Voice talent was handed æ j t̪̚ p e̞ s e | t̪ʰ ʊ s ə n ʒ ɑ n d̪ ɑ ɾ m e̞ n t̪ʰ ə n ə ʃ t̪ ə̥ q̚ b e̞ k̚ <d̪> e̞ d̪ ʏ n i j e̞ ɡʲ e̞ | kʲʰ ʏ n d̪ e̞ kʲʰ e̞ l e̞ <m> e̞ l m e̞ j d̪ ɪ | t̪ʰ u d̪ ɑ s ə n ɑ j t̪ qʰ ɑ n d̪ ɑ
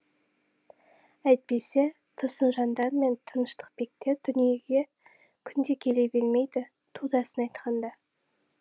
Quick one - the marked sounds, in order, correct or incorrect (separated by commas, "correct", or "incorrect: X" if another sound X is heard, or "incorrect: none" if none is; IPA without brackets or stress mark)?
incorrect: t̪, incorrect: b